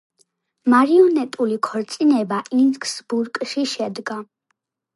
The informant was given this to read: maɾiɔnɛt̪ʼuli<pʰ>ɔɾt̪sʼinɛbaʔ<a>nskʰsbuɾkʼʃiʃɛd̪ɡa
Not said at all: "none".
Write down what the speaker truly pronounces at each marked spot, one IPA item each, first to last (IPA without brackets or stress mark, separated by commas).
kʰ, i